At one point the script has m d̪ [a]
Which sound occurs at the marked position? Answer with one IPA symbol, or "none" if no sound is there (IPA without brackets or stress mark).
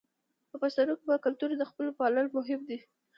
i